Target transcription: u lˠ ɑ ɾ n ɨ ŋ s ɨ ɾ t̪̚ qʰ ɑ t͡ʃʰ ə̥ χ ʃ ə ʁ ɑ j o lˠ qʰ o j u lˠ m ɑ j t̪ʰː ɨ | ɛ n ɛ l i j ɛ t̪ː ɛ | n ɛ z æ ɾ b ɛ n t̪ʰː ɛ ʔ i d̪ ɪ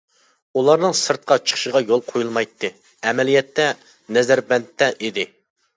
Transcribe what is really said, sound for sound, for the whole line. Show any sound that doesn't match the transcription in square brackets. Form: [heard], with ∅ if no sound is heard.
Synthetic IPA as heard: u lˠ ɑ ɾ n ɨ ŋ s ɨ ɾ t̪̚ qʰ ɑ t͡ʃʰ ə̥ χ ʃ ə ʁ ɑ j o lˠ qʰ o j u lˠ m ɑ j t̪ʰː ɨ | ɛ [m] ɛ l i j ɛ t̪ː ɛ | n ɛ z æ ɾ b ɛ n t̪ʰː ɛ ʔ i d̪ ɪ